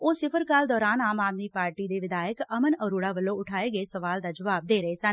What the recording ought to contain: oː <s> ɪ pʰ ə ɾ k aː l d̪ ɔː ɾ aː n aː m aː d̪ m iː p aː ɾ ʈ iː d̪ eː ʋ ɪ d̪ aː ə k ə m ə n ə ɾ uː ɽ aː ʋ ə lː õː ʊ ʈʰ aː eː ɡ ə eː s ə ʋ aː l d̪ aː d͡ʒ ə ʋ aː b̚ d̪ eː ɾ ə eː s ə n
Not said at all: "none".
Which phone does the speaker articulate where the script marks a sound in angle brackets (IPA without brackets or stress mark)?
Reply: s